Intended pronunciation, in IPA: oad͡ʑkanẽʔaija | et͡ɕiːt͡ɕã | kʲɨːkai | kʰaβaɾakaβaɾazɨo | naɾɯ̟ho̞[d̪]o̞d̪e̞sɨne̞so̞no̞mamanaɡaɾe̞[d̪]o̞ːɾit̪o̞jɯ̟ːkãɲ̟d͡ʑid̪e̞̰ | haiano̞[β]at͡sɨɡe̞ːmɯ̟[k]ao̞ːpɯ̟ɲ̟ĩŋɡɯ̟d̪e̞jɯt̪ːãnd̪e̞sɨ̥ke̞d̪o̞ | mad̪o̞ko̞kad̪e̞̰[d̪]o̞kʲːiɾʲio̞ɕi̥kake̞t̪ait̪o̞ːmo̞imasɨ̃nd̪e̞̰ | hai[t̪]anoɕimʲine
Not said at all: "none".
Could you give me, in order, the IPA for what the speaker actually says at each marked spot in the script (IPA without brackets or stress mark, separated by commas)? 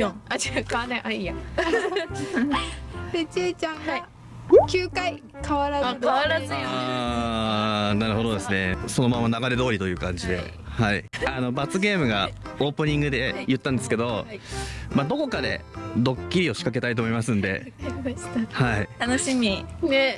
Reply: d̪, d̪, b, ɡ, d̪, t̪